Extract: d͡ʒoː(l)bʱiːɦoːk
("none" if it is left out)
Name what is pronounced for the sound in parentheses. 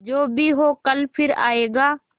none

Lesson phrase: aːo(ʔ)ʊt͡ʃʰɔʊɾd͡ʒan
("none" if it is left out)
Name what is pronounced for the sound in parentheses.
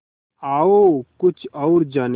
k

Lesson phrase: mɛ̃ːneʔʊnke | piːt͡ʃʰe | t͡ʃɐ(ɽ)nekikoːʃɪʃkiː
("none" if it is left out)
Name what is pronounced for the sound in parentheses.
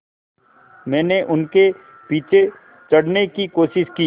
ɽ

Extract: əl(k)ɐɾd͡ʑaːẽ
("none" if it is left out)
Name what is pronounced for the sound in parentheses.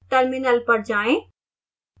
p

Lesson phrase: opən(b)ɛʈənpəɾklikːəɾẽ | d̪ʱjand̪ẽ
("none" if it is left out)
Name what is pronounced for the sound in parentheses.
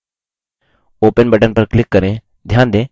b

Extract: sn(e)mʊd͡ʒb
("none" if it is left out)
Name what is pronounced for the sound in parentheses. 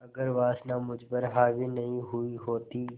a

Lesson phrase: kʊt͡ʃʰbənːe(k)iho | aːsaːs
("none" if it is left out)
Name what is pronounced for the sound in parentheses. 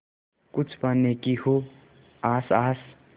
k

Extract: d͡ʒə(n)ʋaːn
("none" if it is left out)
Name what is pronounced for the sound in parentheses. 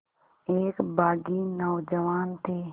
none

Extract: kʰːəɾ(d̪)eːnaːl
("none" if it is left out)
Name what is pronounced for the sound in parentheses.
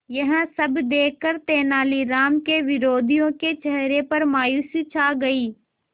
t̪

